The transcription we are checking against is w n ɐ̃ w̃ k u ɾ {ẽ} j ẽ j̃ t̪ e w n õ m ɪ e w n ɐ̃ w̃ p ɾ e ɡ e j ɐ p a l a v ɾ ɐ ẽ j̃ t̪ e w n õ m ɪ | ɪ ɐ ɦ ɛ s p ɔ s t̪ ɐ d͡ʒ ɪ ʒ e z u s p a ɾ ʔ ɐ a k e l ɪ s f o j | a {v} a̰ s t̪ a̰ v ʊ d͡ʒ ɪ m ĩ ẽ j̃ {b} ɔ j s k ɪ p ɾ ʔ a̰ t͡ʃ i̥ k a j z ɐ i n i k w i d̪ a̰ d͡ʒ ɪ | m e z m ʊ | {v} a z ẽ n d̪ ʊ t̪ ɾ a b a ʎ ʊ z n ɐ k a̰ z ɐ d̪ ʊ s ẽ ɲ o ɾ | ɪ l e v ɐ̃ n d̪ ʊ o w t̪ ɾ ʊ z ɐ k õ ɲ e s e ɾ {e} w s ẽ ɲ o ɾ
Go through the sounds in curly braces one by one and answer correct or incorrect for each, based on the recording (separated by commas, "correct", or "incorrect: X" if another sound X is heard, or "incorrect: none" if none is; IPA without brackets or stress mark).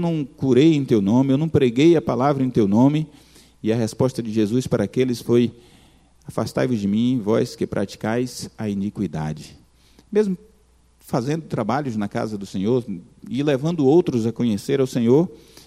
incorrect: e, incorrect: f, incorrect: v, incorrect: f, incorrect: a